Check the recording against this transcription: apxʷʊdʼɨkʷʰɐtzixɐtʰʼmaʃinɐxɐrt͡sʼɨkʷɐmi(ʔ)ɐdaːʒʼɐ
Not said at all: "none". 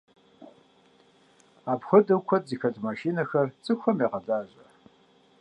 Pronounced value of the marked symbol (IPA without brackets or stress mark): q